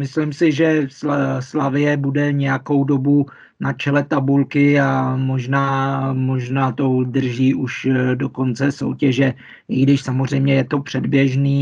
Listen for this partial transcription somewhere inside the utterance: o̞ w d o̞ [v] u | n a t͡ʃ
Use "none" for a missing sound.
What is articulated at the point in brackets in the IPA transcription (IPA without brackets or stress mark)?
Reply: b